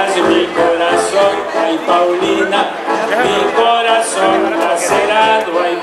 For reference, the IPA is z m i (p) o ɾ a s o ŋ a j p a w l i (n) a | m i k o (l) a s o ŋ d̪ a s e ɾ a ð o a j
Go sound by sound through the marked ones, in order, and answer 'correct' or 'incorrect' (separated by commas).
incorrect, correct, incorrect